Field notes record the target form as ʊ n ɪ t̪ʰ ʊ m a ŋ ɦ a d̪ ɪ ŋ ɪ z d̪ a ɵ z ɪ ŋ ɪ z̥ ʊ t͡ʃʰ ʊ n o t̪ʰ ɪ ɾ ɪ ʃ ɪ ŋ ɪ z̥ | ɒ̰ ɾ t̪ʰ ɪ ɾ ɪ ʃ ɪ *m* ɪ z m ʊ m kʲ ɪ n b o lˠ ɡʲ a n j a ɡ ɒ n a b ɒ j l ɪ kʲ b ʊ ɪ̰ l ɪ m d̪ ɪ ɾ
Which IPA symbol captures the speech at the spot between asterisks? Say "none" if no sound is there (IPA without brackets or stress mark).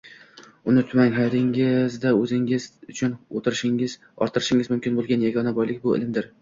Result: ŋ